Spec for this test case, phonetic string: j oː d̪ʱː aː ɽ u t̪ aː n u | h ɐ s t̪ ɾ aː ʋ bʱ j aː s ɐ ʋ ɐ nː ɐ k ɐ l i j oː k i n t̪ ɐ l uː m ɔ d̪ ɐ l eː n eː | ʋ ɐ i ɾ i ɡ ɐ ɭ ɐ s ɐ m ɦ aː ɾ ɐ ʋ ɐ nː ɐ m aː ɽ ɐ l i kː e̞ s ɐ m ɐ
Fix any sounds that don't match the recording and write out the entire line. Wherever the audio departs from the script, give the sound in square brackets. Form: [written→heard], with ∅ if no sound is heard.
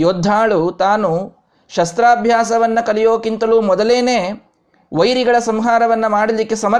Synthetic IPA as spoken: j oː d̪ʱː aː [ɽ→ɭ] u t̪ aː n u | [h→ʃ] ɐ s t̪ ɾ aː [ʋ→∅] bʱ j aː s ɐ ʋ ɐ nː ɐ k ɐ l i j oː k i n t̪ ɐ l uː m ɔ d̪ ɐ l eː n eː | ʋ ɐ [i→j] ɾ i ɡ ɐ ɭ ɐ s ɐ m ɦ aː ɾ ɐ ʋ ɐ nː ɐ m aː ɽ ɐ l i kː e̞ s ɐ m ɐ